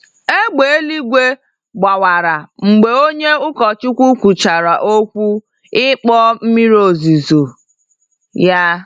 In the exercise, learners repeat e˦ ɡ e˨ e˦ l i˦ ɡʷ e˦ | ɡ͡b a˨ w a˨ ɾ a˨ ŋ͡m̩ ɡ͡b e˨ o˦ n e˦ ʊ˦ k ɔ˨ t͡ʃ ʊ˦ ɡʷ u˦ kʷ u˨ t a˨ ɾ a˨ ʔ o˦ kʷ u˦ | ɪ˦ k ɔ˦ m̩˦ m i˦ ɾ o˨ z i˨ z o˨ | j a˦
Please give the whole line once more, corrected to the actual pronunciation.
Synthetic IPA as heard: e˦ ɡ͡b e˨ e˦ l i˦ ɡʷ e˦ | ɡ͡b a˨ w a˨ ɾ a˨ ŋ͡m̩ ɡ͡b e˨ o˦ ɲ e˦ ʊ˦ k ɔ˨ t͡ʃ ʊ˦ kʷ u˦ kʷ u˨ t͡ʃ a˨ ɾ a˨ ʔ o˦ kʷ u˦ | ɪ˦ k͡p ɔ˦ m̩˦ m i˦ ɾ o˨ z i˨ z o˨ | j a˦